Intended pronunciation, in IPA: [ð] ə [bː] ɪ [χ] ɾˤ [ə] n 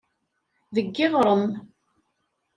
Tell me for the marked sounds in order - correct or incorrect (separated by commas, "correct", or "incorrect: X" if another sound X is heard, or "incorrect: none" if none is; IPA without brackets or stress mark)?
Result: correct, incorrect: ɡː, incorrect: ʁ, correct